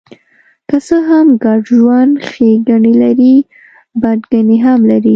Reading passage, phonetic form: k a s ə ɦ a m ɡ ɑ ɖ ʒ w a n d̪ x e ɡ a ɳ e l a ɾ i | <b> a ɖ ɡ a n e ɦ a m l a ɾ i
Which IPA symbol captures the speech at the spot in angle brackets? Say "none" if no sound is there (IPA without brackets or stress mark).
b